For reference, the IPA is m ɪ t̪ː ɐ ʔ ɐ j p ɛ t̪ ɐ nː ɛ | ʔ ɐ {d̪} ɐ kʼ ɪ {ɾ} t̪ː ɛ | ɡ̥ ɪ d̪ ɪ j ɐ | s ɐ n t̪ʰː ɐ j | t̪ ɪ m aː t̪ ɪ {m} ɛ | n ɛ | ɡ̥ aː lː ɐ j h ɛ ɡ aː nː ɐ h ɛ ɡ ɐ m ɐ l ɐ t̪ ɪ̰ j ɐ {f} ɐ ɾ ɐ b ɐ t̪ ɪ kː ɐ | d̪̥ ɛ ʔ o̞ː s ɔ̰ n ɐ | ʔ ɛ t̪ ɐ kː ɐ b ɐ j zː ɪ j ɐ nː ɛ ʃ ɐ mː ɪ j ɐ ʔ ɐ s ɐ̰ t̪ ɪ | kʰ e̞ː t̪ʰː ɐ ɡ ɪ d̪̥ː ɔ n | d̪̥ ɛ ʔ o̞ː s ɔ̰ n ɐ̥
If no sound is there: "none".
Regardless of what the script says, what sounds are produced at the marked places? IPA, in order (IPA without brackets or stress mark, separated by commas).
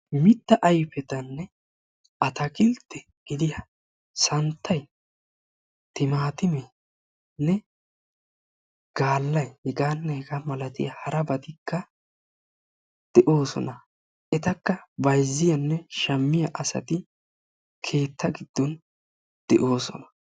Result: t̪, l, m, h